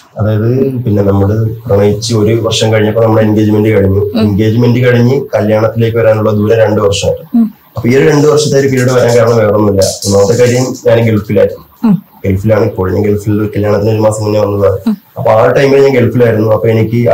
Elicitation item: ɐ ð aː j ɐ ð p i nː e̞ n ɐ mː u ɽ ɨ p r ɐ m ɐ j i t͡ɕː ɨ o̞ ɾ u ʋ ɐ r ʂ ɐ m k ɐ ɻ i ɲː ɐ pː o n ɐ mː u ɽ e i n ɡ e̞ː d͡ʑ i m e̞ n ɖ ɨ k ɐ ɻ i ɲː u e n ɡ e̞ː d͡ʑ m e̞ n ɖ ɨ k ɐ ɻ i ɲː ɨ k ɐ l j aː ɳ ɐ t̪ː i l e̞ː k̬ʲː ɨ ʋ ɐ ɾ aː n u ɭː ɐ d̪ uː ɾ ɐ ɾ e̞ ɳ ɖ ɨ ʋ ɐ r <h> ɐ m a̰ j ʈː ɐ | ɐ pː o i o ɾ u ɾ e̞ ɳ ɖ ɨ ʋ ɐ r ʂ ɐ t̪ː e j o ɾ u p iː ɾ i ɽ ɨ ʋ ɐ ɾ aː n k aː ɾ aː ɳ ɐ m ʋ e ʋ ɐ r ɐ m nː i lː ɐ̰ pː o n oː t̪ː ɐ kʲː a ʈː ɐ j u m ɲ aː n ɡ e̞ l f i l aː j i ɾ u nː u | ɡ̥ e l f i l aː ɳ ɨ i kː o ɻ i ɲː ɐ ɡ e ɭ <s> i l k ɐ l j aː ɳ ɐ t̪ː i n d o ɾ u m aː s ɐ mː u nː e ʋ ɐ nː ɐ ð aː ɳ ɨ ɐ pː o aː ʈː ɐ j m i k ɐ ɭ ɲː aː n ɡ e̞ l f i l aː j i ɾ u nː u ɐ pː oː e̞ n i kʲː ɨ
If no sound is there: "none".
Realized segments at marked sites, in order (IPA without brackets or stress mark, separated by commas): ʂ, f